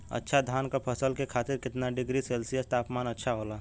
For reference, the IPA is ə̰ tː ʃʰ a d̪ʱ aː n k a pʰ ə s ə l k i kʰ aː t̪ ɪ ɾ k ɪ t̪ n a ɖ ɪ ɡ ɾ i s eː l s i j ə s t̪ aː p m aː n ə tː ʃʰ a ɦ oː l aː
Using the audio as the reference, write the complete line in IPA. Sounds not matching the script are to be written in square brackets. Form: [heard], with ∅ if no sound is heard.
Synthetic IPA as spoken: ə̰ tː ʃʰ a d̪ʱ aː n k a pʰ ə s ə l k [e] kʰ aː t̪ ɪ ɾ k ɪ t̪ n a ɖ ɪ ɡ ɾ i s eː l s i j ə s t̪ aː p m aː n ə tː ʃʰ a ɦ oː l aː